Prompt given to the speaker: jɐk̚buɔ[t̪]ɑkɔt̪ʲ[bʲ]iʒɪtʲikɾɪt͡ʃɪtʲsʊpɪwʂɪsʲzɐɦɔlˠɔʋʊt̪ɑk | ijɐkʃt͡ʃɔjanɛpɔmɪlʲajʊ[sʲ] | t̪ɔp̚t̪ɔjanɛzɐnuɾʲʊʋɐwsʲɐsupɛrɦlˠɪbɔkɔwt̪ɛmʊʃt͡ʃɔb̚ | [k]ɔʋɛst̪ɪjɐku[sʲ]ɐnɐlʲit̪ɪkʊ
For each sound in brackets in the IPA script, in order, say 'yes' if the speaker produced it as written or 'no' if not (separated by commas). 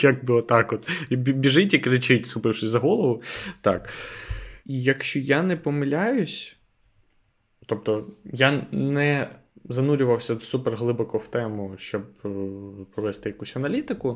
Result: yes, yes, yes, no, yes